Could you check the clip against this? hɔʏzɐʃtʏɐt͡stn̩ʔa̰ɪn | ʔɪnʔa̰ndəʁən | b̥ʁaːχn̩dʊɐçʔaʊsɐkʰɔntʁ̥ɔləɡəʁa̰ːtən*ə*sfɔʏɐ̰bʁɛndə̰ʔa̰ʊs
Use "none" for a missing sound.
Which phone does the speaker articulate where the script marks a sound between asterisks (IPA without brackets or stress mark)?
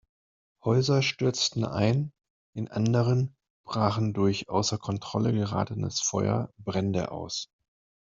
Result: ə